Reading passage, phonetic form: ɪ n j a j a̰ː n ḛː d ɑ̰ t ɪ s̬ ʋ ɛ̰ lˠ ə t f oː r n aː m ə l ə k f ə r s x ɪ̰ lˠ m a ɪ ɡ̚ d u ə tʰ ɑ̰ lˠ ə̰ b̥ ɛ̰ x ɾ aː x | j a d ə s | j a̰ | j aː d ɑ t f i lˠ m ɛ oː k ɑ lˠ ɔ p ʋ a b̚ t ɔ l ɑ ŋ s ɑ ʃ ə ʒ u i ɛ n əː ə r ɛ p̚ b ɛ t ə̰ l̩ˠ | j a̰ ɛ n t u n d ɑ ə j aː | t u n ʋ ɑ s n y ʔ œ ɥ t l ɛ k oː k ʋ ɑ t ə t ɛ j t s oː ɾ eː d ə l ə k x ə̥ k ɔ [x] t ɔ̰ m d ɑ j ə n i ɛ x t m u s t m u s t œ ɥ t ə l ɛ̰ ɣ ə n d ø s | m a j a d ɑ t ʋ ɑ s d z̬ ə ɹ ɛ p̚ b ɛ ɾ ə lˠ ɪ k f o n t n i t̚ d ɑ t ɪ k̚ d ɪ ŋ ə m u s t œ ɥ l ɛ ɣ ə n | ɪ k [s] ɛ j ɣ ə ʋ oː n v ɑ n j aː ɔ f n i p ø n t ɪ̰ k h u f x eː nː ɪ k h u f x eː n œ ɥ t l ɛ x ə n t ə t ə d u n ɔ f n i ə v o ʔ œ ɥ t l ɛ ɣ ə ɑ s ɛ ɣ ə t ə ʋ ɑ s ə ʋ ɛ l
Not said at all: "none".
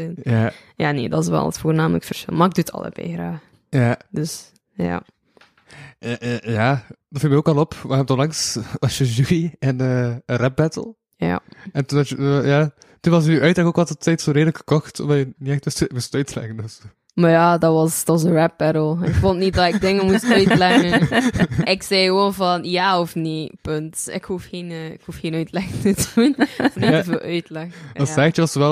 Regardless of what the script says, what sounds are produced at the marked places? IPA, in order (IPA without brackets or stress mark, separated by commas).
x, s